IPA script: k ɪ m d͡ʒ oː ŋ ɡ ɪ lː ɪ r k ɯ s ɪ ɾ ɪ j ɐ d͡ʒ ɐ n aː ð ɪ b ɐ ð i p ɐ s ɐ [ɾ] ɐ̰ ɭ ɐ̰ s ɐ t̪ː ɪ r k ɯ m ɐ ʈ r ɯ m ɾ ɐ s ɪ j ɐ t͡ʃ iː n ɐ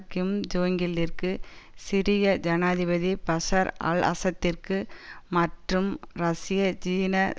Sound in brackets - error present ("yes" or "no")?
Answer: no